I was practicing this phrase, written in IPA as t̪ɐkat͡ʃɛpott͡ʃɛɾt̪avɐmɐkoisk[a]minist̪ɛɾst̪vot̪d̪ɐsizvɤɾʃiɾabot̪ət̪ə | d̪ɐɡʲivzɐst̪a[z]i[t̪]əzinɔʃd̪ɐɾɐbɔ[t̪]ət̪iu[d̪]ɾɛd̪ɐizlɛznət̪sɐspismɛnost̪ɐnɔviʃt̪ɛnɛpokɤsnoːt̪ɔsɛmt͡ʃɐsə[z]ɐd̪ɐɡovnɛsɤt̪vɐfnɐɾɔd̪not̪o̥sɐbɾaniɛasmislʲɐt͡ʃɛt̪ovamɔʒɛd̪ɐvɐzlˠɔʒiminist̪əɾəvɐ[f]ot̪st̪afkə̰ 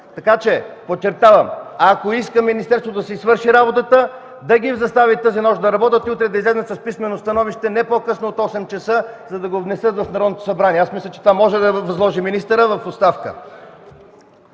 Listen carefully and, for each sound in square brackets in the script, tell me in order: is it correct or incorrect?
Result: incorrect: ə, incorrect: v, correct, correct, incorrect: t̪, correct, correct

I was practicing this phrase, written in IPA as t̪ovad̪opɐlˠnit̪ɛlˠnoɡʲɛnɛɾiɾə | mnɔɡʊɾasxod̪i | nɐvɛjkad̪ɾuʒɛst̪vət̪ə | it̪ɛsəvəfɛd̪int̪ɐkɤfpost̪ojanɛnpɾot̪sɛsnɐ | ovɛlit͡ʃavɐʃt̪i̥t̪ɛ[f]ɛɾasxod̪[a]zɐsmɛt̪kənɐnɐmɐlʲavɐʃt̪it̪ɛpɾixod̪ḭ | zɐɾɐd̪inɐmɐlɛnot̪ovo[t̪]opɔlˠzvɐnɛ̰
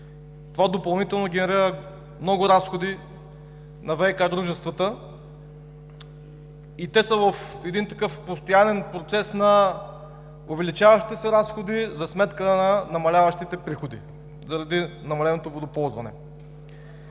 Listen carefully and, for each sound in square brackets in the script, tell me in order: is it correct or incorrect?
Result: incorrect: s, incorrect: i, incorrect: d̪

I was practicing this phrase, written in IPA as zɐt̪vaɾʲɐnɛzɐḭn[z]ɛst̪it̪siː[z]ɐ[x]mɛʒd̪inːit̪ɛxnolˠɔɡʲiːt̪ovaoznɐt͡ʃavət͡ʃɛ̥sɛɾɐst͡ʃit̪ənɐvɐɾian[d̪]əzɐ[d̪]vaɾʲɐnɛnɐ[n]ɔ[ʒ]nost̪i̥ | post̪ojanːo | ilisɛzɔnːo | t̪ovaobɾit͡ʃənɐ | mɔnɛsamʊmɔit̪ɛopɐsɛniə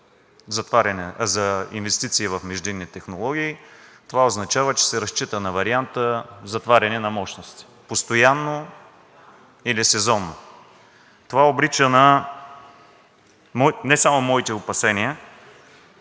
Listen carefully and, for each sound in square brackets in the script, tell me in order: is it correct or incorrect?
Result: incorrect: v, incorrect: v, incorrect: f, incorrect: t̪, incorrect: t̪, incorrect: m, incorrect: ʃ

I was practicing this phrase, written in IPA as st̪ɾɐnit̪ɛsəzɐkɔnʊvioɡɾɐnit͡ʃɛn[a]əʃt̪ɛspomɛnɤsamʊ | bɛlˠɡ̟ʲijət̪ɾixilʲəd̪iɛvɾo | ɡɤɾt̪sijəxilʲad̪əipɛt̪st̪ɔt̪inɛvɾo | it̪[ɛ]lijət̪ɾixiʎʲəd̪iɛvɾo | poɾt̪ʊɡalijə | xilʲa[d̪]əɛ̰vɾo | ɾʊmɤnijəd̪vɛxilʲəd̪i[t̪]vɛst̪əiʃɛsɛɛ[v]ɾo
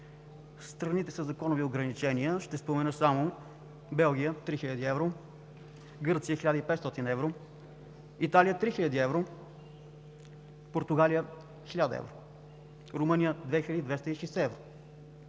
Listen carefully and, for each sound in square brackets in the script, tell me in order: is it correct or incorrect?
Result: incorrect: i, incorrect: a, correct, incorrect: d̪, correct

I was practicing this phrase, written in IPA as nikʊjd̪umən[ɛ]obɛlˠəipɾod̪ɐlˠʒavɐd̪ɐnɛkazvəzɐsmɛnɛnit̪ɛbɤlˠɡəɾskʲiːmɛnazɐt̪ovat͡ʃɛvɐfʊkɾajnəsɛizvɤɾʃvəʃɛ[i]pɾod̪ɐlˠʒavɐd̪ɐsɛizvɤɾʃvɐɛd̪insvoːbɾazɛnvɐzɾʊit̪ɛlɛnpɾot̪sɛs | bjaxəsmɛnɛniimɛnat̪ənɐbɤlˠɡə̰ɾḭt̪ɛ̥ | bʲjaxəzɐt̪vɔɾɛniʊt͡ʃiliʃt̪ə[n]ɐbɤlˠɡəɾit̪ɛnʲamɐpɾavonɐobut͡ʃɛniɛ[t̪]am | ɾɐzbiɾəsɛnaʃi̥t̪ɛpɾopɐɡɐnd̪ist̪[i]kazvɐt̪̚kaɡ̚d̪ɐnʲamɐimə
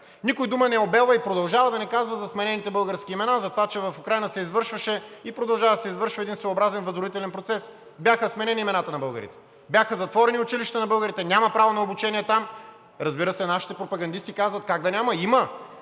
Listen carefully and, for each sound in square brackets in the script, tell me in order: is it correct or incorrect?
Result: correct, correct, correct, correct, correct

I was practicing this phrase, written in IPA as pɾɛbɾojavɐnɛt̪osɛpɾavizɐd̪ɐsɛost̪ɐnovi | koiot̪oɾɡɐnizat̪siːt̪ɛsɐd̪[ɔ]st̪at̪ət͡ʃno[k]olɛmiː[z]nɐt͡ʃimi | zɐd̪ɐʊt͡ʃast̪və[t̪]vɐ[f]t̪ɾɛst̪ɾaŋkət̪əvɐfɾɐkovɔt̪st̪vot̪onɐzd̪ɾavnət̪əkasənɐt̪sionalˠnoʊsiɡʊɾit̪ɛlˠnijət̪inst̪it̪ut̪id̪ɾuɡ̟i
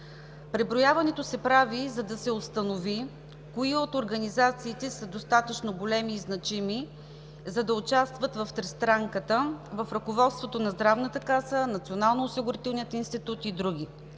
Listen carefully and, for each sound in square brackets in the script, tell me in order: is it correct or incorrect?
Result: incorrect: o, incorrect: ɡ, correct, correct, correct

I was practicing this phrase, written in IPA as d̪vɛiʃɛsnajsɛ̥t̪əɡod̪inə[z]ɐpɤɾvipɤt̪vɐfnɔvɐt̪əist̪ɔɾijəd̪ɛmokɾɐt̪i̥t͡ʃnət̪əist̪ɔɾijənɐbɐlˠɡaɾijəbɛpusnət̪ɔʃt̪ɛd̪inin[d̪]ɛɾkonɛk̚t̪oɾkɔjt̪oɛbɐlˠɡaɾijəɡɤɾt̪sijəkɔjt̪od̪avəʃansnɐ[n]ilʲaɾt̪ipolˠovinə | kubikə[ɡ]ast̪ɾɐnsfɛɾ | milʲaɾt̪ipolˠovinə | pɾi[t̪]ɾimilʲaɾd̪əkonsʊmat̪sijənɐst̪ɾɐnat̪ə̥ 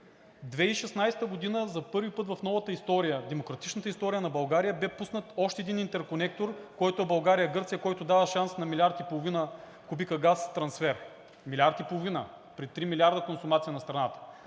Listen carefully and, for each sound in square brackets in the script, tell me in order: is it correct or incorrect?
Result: correct, incorrect: t̪, incorrect: m, correct, correct

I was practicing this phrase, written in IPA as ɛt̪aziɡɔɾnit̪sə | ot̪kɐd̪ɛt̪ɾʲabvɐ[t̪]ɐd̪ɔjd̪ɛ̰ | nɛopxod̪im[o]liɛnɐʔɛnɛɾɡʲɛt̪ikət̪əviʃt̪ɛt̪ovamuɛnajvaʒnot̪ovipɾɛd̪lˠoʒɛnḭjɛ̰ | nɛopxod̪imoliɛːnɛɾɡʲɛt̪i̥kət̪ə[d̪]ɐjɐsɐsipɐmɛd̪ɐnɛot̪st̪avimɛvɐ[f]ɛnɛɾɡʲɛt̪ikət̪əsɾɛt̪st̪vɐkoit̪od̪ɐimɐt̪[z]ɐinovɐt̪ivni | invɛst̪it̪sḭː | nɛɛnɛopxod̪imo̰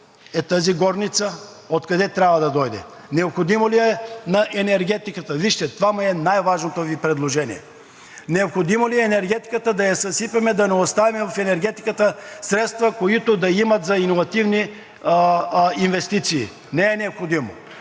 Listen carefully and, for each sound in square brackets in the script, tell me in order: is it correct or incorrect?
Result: incorrect: d̪, correct, correct, correct, correct

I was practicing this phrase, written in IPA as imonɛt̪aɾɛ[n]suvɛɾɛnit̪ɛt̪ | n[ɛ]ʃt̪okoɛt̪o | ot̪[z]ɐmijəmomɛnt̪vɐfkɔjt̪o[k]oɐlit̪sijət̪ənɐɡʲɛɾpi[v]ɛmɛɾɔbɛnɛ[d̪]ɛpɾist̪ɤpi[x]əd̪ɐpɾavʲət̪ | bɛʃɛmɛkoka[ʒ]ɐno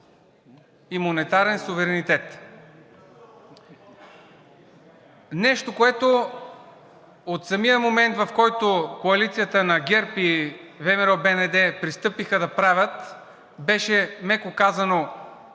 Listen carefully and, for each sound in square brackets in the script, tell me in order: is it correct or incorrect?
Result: correct, correct, incorrect: s, correct, correct, correct, correct, incorrect: z

